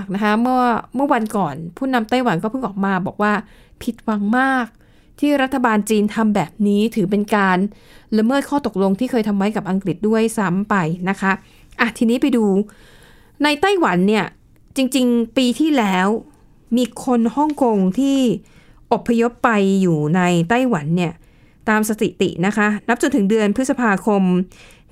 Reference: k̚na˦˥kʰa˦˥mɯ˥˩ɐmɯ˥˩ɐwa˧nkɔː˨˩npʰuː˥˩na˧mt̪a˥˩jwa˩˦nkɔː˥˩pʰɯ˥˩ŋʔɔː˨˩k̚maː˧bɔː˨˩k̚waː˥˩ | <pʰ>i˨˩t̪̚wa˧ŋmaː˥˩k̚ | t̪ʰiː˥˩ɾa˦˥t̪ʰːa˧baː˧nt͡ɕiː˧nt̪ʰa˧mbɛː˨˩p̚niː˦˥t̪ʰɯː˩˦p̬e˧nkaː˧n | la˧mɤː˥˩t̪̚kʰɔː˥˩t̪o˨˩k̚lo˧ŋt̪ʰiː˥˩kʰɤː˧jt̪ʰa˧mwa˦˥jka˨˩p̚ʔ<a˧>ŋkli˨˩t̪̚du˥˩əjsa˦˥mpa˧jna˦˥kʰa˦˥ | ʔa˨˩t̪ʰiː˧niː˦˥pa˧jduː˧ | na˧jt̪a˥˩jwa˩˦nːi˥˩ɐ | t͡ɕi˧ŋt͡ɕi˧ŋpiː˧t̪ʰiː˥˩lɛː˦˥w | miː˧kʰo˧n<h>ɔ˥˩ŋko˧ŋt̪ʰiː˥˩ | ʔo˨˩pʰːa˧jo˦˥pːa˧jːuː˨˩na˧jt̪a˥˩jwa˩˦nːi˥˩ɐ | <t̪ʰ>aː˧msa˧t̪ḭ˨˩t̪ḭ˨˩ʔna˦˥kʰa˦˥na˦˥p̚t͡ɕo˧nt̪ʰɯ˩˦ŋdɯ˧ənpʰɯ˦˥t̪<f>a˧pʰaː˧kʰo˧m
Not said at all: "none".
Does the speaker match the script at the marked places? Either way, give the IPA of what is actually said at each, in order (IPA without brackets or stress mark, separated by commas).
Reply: pʰ, a˧, h, t̪, s